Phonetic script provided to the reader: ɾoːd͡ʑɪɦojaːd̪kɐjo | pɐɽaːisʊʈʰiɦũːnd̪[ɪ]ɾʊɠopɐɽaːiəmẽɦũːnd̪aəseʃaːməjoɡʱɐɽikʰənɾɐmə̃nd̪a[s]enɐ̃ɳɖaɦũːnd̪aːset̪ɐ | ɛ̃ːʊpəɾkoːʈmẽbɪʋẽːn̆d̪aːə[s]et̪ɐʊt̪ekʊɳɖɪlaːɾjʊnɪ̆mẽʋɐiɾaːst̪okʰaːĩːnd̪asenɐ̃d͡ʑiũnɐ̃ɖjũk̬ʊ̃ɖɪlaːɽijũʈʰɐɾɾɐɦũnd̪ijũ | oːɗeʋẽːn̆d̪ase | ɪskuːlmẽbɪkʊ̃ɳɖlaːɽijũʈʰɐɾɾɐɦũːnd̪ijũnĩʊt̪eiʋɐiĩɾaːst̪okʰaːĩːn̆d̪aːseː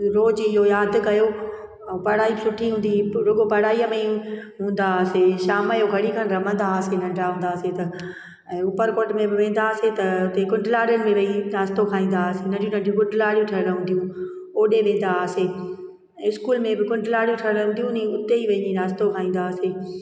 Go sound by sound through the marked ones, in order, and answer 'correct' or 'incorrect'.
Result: incorrect: i, correct, correct

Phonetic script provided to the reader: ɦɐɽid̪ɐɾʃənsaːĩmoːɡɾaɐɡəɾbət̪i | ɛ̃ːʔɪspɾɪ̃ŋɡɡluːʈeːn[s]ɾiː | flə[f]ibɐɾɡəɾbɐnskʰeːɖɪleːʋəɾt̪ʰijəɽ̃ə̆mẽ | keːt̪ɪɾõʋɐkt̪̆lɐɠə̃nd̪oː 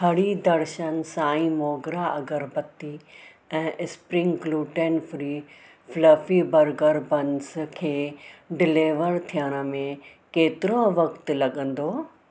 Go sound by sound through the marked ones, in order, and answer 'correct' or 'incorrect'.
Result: incorrect: f, correct

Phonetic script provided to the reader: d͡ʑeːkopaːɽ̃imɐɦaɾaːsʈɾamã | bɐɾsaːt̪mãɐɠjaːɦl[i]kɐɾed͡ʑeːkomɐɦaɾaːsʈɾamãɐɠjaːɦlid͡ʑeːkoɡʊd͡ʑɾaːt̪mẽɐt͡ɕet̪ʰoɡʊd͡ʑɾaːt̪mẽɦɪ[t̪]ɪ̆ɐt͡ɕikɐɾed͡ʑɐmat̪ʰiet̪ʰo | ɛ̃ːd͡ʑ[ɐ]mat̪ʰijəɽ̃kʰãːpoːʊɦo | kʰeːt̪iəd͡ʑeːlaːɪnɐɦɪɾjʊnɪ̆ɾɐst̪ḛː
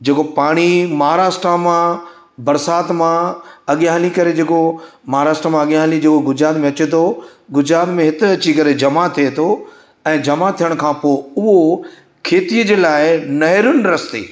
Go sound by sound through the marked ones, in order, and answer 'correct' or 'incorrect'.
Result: correct, correct, correct

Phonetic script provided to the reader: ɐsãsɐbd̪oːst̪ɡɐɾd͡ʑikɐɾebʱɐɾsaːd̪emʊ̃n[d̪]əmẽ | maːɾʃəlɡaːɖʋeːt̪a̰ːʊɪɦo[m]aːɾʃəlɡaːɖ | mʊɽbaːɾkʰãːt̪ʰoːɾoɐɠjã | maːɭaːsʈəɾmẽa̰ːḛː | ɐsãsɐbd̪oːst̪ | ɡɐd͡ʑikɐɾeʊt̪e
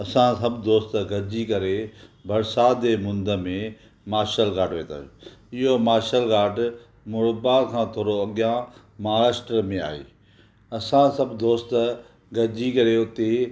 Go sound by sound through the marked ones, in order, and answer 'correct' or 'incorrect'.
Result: correct, correct

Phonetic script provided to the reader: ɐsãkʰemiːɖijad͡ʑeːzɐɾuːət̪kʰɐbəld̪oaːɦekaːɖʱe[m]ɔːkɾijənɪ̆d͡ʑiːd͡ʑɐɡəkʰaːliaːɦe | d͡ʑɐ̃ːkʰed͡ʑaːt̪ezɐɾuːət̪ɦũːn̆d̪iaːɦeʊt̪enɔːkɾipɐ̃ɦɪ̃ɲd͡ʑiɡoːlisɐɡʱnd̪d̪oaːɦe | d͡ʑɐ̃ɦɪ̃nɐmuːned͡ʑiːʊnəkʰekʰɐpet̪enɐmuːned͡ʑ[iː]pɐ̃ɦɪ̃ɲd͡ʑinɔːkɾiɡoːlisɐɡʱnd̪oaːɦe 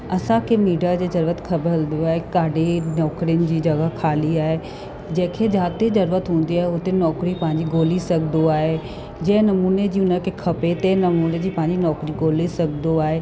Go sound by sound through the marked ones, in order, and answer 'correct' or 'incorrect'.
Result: incorrect: n, correct

